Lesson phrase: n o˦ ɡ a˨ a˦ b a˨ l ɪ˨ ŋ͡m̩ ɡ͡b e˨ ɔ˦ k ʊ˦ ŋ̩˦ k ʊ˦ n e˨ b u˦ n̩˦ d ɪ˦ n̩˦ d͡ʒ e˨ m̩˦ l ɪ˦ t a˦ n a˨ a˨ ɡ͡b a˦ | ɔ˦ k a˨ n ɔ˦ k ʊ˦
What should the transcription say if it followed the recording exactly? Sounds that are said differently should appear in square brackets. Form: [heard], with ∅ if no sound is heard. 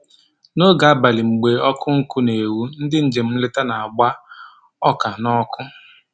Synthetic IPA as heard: n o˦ ɡ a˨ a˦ b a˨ l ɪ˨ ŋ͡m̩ ɡ͡b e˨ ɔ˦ k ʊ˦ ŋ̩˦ k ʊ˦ n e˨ [w] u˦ n̩˦ d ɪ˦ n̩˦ d͡ʒ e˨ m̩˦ l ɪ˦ t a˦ n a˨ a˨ ɡ͡b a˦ | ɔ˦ k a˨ n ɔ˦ k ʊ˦